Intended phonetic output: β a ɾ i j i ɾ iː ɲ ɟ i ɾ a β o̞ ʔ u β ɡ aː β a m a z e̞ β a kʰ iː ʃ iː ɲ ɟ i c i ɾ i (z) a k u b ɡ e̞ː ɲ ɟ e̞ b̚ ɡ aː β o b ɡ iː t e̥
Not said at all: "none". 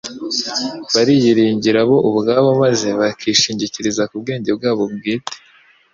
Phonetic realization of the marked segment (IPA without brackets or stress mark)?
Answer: z